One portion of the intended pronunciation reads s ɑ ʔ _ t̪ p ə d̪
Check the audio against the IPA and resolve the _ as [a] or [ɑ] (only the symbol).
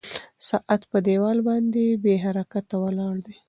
a